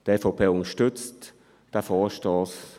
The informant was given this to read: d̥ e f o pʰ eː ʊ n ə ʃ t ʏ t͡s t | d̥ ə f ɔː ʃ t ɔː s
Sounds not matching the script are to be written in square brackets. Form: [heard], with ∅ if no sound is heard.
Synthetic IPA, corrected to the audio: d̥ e f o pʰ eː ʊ n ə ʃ t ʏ t͡s t | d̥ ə f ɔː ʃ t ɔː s